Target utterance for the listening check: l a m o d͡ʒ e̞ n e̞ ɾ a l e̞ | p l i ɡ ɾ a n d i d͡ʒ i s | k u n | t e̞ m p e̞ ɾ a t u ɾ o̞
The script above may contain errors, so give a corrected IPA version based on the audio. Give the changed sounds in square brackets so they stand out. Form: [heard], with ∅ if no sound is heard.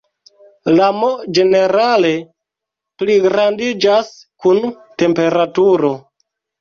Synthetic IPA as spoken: l a m o d͡ʒ e̞ n e̞ ɾ a l e̞ | p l i ɡ ɾ a n d i d͡ʒ [a] s | k u n | t e̞ m p e̞ ɾ a t u ɾ o̞